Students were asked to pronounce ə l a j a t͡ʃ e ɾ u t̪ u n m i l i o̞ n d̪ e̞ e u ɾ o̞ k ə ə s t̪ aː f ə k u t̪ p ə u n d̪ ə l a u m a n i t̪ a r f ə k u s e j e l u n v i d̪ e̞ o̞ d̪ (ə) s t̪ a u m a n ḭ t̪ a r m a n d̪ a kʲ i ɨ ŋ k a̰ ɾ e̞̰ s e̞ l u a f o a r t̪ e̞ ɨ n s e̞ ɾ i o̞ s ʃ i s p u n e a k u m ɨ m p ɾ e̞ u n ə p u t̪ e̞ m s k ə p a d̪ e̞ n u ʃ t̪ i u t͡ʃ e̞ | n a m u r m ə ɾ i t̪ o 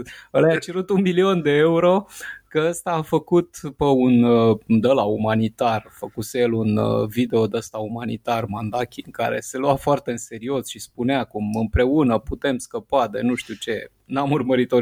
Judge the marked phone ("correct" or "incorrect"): correct